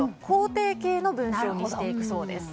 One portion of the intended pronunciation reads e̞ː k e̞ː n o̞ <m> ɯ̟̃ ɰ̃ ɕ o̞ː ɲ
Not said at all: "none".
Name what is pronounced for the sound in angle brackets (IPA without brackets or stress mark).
b